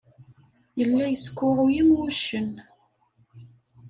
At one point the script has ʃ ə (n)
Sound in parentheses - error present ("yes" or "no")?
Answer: no